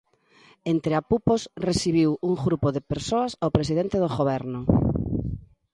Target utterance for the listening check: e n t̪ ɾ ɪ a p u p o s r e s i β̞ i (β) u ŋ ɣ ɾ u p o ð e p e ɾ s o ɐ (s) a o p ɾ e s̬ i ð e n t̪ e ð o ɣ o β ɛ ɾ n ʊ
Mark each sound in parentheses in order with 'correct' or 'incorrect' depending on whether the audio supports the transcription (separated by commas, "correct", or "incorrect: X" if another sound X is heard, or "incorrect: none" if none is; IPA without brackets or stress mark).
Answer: incorrect: w, correct